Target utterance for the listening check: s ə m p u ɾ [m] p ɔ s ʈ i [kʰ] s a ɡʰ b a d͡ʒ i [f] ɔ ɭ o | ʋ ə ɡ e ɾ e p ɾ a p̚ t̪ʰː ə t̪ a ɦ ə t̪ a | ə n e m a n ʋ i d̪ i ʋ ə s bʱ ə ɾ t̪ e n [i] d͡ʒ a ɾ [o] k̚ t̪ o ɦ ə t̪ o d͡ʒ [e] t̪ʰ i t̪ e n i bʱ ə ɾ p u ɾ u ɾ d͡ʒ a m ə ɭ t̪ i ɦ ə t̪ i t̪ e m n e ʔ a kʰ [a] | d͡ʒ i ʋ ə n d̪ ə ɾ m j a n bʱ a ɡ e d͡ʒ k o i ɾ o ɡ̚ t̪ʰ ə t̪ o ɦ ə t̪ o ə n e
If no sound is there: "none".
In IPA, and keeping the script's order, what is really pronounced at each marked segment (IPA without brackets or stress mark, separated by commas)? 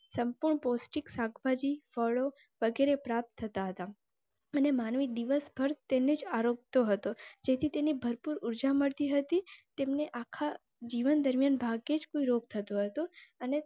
ɳ, k, f, e, o, e, a